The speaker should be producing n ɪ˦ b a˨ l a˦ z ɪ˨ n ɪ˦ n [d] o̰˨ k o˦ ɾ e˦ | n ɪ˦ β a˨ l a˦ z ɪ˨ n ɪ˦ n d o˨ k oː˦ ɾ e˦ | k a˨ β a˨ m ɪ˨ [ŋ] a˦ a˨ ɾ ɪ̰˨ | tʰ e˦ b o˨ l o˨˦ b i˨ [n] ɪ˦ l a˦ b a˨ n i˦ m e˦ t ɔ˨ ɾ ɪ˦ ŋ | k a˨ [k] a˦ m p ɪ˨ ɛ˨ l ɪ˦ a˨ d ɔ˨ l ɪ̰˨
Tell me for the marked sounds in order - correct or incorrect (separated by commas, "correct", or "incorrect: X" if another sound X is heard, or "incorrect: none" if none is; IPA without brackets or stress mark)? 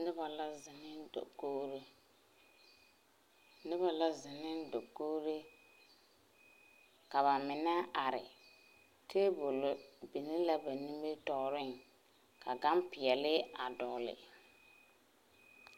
correct, incorrect: n, correct, incorrect: ɡ